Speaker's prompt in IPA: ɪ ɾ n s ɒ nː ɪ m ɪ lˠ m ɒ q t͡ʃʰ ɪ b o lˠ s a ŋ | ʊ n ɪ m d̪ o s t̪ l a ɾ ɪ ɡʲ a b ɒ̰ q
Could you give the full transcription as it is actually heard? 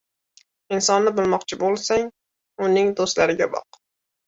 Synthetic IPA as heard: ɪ n s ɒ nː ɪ b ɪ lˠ m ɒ q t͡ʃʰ ɪ b o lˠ s a ŋ | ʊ n ɪ ŋ d̪ o s t̪ l a ɾ ɪ ɡʲ a b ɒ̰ q